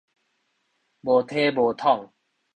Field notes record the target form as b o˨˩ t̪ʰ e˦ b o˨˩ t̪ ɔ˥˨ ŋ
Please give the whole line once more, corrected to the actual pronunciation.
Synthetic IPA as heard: b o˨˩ t̪ʰ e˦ b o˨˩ t̪ʰ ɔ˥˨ ŋ